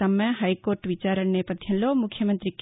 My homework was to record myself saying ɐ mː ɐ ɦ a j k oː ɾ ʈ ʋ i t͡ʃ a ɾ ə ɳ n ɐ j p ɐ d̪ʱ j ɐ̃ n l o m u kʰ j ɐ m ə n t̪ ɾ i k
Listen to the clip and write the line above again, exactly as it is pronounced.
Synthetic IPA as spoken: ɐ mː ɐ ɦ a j k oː ɾ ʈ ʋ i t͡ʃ a ɾ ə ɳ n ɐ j p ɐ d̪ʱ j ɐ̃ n l o m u kʰ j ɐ m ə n t̪ ɾ i k